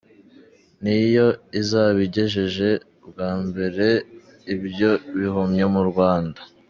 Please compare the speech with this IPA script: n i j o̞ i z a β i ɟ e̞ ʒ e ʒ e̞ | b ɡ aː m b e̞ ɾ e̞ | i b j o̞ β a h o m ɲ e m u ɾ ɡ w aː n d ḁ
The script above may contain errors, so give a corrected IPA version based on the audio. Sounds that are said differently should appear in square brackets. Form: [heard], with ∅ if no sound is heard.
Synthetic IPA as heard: n i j o̞ i z a β i ɟ e̞ ʒ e ʒ e̞ | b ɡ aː m b e̞ ɾ e̞ | i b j o̞ β [i] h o m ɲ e m u ɾ ɡ w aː n d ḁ